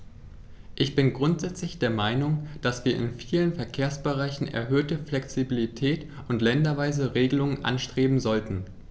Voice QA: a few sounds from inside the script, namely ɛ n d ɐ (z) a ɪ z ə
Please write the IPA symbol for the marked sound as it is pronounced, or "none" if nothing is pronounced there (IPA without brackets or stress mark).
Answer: v